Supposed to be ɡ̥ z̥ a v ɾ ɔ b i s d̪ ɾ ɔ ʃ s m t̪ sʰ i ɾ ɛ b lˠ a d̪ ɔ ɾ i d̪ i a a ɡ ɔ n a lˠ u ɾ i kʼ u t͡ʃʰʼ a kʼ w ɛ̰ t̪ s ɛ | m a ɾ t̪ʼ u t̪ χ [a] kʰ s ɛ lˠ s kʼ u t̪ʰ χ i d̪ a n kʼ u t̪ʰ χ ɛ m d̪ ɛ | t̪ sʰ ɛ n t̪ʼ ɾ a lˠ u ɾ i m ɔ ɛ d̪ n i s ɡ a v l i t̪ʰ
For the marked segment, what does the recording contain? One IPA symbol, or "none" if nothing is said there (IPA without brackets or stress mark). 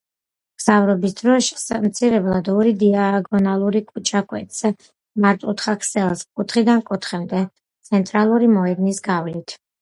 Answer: a